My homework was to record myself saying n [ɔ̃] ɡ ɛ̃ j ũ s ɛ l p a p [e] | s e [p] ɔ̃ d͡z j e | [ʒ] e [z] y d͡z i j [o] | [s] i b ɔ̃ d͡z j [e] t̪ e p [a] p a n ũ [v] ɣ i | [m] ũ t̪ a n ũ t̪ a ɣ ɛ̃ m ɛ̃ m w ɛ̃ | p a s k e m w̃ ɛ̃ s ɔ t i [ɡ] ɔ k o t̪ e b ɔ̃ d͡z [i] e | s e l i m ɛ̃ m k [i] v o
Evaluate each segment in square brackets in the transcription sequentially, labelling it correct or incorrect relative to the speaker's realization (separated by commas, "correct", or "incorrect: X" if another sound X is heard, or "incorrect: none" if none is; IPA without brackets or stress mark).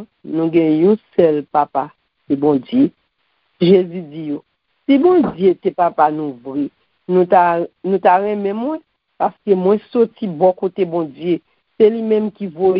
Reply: incorrect: ũ, incorrect: a, incorrect: b, correct, correct, correct, correct, correct, correct, correct, incorrect: n, incorrect: b, incorrect: j, correct